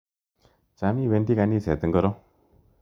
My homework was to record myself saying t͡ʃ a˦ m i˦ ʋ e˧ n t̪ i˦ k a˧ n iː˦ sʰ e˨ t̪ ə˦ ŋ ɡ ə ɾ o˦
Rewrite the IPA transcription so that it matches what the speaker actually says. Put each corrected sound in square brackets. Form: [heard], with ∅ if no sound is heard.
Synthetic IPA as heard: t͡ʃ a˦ m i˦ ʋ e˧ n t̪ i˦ k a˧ n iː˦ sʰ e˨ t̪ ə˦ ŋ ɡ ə ɾ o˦